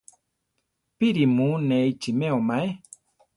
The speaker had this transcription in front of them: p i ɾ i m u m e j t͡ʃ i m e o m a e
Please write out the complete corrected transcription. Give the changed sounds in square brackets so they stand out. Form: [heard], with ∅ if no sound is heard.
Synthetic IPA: p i ɾ i m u [n] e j t͡ʃ i m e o m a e